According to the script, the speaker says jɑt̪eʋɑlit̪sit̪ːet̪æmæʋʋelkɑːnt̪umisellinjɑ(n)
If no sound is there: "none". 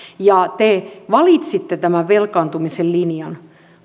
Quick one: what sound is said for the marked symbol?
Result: n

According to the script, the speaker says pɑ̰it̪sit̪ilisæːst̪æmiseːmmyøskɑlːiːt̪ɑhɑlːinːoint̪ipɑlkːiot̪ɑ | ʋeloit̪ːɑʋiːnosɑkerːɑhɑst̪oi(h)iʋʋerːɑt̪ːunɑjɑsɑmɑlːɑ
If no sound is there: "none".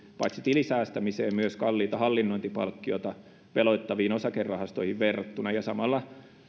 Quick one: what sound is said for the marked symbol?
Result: h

